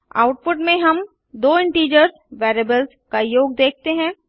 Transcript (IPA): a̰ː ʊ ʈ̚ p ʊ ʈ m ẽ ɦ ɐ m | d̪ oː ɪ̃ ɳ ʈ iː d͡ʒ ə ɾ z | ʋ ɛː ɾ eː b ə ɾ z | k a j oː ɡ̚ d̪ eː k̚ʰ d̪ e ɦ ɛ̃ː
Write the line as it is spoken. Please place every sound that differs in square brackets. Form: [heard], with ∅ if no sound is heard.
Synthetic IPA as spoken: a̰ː ʊ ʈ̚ p ʊ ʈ m ẽ ɦ ɐ m | d̪ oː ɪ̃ ɳ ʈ iː d͡ʒ ə ɾ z | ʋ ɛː ɾ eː b ə [l] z | k a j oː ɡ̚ d̪ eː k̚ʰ [t̪] e ɦ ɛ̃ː